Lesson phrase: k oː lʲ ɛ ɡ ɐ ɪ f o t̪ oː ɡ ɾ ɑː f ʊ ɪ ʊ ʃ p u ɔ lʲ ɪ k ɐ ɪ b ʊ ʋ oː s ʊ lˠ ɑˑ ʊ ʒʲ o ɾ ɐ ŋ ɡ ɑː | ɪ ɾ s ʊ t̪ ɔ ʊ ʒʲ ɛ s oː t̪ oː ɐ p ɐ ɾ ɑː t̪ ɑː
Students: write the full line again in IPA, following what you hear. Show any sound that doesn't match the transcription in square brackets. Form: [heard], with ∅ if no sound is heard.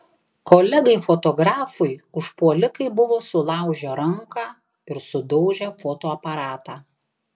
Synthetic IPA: k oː lʲ ɛ ɡ ɐ ɪ f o t̪ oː ɡ ɾ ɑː f ʊ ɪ ʊ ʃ p u ɔ lʲ ɪ k ɐ ɪ b ʊ ʋ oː s ʊ lˠ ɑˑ ʊ ʒʲ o ɾ ɐ ŋ [k] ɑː | ɪ ɾ s ʊ [d̪] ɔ ʊ ʒʲ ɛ [f] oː t̪ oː ɐ p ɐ ɾ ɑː t̪ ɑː